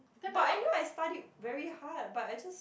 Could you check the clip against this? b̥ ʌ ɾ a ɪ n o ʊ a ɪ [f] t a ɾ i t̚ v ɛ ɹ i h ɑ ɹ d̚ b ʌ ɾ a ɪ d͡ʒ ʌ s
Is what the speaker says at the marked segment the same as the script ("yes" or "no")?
no